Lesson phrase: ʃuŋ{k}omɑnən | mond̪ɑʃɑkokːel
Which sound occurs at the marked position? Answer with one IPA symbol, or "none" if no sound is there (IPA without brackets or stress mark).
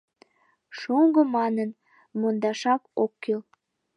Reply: ɡ